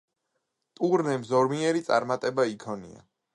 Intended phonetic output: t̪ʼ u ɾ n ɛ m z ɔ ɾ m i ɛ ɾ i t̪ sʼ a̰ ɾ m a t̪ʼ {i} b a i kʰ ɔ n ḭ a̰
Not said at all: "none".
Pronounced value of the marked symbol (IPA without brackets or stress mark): ɛ